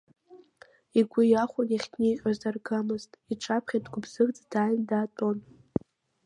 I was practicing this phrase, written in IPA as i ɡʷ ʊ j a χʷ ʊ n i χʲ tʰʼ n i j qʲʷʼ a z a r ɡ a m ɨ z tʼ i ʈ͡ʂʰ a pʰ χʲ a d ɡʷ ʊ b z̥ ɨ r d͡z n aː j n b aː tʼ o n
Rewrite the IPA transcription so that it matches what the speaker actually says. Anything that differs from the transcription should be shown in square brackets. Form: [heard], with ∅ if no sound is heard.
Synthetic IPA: i ɡʷ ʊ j a χʷ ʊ n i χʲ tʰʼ n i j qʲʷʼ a z a r ɡ a m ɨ z tʼ i ʈ͡ʂʰ a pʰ χʲ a d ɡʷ ʊ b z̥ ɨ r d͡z [d] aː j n [d] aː tʼ o n

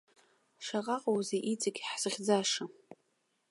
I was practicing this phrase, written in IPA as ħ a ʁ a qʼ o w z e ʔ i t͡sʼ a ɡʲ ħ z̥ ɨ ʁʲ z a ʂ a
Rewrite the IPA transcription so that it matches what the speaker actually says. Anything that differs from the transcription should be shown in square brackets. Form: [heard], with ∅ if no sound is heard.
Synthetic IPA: [ʂ] a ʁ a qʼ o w z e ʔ i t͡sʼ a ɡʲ ħ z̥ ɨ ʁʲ [d͡z] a ʂ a

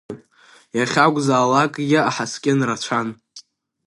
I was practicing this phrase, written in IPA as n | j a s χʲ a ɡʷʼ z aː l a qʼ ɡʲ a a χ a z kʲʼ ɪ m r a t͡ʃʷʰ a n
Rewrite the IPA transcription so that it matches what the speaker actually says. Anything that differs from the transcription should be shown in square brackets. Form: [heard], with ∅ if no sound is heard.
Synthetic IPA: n | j a [∅] χʲ a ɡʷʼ z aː l a [kʼ] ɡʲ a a [ħ] a [s] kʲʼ ɪ [n] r a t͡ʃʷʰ a n

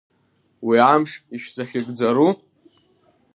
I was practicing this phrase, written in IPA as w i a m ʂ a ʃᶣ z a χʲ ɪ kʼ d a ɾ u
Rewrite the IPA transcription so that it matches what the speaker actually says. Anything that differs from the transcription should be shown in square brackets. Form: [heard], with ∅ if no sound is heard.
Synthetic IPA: w i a m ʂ [i] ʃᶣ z a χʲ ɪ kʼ [d͡z] a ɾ u

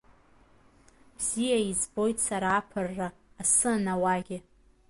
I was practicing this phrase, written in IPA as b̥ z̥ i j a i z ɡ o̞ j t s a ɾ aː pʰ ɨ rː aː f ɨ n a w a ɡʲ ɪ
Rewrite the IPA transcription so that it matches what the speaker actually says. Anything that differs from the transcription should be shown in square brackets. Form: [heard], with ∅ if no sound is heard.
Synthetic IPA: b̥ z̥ i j a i z [b] o̞ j t s a ɾ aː pʰ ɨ rː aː [s] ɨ n a w a ɡʲ ɪ

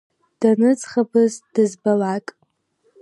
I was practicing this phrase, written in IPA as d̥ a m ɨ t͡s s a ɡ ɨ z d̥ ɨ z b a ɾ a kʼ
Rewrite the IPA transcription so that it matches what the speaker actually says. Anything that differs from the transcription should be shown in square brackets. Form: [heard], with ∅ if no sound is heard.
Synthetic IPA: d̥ a [n] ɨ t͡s [χ] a [b] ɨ z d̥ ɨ z b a [l] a kʼ

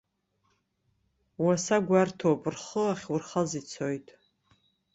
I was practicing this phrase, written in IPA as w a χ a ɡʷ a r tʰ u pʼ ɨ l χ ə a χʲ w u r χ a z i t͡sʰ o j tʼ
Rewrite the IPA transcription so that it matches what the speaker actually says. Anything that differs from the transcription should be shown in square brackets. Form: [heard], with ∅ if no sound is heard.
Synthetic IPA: w a [s] a ɡʷ a r tʰ [o] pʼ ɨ [r] χ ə a χʲ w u r χ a z i t͡sʰ o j tʼ

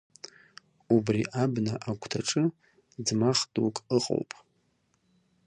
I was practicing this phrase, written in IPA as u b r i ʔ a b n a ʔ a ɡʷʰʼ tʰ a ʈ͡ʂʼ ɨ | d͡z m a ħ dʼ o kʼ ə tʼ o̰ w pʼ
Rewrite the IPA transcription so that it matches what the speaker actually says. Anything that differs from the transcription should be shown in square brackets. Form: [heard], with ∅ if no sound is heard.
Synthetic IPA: u b r i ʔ a b n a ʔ a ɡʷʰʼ tʰ a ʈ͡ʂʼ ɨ | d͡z m a [χ] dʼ [u] kʼ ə [qʼ] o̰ w pʼ

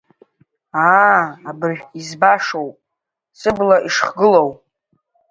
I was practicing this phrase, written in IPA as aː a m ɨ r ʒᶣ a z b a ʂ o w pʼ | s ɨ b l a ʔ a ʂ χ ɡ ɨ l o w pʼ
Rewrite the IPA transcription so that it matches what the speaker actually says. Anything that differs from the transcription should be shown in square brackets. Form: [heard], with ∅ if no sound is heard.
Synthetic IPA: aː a [b] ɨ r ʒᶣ [i] z b a ʂ o w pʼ | s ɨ b l a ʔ [i] ʂ χ ɡ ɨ l o w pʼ

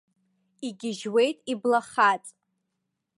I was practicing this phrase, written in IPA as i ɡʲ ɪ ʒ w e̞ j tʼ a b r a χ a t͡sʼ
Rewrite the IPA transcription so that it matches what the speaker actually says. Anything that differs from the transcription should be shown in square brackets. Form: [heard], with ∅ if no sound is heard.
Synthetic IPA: i ɡʲ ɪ ʒ w e̞ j tʼ [i] b [l] a χ a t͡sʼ

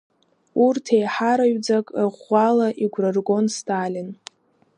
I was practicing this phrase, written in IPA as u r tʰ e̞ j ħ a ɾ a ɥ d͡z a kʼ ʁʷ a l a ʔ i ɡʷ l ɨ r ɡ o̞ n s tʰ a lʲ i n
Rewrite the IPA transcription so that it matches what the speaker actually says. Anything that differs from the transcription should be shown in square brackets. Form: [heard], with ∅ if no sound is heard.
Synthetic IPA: u r tʰ e̞ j ħ a ɾ a ɥ d͡z a kʼ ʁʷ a l a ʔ i ɡʷ [r] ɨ r ɡ o̞ n s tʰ a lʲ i n

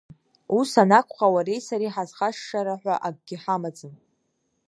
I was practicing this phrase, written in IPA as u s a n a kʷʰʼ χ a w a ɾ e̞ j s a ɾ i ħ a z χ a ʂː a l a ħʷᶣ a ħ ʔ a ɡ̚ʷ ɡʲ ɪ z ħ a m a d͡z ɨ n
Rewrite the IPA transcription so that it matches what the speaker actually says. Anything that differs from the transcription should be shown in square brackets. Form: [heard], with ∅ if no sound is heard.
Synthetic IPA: u s a n a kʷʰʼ χ a w a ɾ e̞ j s a ɾ i ħ a z χ a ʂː a [ɾ] a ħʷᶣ a [∅] ʔ a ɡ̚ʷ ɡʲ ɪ [∅] ħ a m a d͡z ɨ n

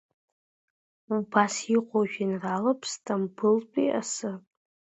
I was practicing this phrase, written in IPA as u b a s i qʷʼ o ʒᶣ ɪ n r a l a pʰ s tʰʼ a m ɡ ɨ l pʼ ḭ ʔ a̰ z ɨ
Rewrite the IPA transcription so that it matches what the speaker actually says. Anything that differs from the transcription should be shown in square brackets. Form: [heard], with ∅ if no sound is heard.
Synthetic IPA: u b a s i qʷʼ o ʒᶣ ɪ n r a l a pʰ s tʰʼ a m [b] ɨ l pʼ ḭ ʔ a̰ [s] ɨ

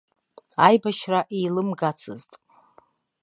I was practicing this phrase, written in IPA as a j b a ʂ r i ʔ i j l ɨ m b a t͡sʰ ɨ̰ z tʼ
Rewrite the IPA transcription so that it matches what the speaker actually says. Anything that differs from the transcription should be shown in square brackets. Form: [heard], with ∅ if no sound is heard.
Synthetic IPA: a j b a [ʃ] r [a] ʔ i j l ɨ m [ɡ] a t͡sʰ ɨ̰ z tʼ

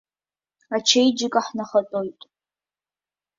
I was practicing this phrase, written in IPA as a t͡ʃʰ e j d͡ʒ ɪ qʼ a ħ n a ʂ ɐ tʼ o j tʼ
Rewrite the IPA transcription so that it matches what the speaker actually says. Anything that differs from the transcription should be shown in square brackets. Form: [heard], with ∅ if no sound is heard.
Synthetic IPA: a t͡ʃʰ e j d͡ʒ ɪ [kʼ] a ħ n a [χ] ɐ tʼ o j tʼ

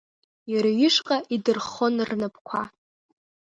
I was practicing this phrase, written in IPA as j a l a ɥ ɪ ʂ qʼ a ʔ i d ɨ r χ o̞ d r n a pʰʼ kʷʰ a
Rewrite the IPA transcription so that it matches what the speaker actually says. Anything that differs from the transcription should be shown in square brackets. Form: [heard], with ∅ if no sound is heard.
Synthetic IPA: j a [ɾ] a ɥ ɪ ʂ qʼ a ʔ i d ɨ r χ o̞ [n] r n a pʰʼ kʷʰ a

